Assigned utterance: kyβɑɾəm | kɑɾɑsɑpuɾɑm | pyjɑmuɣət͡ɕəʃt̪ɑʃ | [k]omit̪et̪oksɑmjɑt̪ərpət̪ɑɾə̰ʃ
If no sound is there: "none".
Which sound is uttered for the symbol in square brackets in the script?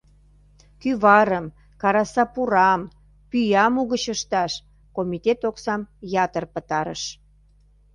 k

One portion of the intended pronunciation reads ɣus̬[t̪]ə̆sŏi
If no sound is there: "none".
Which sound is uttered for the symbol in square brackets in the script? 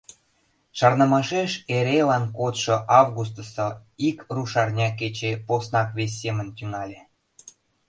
t̪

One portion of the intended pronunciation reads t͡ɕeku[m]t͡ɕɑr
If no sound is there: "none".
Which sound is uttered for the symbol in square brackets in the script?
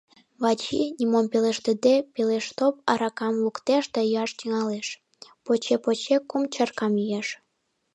m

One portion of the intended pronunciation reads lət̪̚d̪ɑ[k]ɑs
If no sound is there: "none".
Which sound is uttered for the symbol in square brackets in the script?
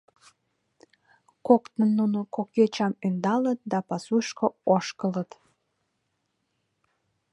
p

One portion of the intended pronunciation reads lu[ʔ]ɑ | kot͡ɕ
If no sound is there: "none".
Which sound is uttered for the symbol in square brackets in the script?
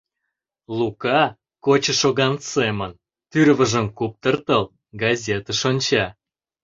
k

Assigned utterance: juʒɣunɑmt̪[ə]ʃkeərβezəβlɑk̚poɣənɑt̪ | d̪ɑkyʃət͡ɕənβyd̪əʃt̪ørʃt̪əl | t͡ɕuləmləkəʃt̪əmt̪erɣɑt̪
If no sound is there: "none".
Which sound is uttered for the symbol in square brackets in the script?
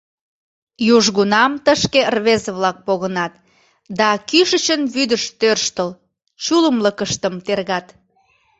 ə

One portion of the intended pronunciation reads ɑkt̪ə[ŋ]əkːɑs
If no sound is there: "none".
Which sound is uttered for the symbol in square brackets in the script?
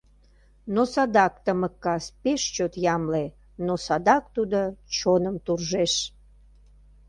m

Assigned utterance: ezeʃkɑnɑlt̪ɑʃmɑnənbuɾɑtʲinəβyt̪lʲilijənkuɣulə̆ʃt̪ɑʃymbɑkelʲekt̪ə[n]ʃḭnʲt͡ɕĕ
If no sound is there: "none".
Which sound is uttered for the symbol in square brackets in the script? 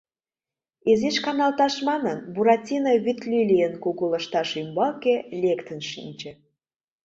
n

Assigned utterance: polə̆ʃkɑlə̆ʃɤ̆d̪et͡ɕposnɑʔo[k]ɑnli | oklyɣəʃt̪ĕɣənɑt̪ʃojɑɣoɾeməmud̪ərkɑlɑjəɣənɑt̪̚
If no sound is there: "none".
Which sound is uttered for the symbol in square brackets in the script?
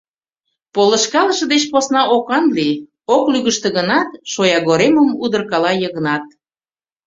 k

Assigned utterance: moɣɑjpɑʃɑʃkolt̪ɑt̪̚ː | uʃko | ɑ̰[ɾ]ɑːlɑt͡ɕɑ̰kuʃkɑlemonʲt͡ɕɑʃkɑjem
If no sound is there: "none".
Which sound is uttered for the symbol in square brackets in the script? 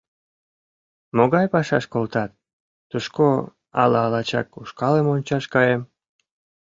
l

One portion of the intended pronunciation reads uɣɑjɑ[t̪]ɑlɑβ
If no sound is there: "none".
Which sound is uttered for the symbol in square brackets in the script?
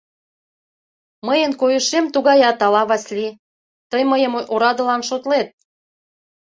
t̪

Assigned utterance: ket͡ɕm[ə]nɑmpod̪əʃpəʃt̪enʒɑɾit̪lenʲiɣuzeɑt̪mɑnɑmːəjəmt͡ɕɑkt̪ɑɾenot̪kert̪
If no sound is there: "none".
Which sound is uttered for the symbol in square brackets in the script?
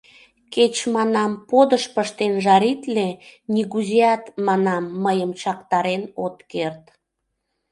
ɑ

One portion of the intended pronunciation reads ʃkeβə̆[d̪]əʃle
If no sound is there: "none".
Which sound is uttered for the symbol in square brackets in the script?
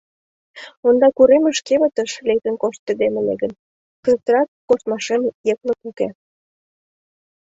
t̪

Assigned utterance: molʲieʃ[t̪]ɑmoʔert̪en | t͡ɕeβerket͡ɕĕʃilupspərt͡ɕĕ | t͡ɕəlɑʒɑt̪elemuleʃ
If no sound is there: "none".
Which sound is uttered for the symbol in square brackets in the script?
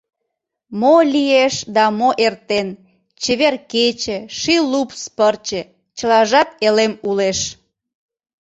d̪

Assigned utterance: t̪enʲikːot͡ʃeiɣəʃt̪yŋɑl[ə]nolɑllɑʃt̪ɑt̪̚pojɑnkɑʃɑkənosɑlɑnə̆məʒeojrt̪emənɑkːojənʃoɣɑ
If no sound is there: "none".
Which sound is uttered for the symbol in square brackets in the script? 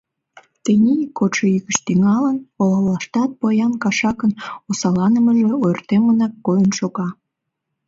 ə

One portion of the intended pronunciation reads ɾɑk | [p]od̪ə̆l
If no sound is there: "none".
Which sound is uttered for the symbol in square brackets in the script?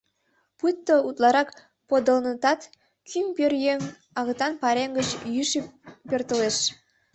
p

